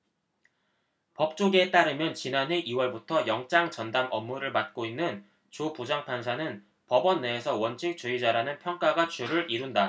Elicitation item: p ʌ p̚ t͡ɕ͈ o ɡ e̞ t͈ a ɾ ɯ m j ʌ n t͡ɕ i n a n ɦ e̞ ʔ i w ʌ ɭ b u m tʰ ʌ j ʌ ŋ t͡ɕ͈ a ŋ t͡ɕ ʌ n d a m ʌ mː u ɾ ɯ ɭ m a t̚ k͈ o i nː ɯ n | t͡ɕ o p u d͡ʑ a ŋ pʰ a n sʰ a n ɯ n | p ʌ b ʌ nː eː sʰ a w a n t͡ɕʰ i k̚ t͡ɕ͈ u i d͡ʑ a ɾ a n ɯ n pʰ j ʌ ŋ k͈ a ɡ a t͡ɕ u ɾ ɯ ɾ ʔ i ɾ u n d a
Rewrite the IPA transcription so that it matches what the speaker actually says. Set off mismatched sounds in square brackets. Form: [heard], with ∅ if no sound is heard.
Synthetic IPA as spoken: p ʌ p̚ t͡ɕ͈ o ɡ e̞ t͈ a ɾ ɯ m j ʌ n t͡ɕ i n a n ɦ e̞ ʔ i w ʌ ɭ b u [∅] tʰ ʌ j ʌ ŋ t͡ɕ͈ a ŋ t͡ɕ ʌ n d a m ʌ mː u ɾ ɯ ɭ m a t̚ k͈ o i nː ɯ n | t͡ɕ o p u d͡ʑ a ŋ pʰ a n sʰ a n ɯ n | p ʌ b ʌ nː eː sʰ [ʌ] w [ʌ] n t͡ɕʰ i k̚ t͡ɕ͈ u i d͡ʑ a ɾ a n ɯ n pʰ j ʌ ŋ k͈ a ɡ a t͡ɕ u ɾ ɯ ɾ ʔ i ɾ u n d a